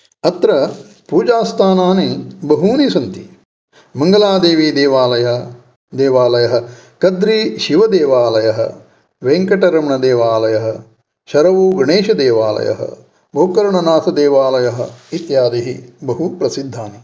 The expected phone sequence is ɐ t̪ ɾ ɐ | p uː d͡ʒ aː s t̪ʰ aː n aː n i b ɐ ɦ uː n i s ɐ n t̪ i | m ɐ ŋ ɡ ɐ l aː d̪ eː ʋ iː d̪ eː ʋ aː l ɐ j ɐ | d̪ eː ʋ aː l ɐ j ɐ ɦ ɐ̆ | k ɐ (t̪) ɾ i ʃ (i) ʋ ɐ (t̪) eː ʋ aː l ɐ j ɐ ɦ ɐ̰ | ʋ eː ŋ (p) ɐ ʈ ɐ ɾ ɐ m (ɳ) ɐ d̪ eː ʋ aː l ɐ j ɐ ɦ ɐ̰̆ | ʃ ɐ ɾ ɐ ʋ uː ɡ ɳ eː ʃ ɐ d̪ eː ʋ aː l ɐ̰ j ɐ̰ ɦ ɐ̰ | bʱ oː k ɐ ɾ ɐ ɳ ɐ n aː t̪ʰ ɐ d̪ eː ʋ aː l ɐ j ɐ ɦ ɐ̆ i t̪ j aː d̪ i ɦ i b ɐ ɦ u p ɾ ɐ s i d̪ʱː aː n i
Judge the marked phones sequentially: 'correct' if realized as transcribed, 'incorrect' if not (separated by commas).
incorrect, correct, incorrect, incorrect, correct